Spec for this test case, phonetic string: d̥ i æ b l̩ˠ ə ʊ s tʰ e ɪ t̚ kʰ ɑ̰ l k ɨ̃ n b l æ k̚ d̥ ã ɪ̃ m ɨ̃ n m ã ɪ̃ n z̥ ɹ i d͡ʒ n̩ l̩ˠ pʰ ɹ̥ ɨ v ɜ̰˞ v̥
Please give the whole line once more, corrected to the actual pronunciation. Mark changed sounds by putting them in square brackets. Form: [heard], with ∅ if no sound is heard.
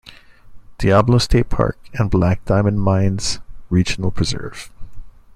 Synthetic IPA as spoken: d̥ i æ b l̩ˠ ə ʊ s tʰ e ɪ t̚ [pʰ] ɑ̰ [ɹ] k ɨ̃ n b l æ k̚ d̥ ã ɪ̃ m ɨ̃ n m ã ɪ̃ n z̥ ɹ i d͡ʒ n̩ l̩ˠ pʰ ɹ̥ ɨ [z] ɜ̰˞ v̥